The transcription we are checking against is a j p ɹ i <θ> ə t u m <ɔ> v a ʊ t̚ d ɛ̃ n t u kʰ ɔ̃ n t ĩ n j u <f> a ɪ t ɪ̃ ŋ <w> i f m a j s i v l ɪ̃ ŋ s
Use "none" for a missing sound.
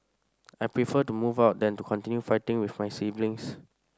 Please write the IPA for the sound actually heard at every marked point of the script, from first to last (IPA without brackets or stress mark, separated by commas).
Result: f, u, f, w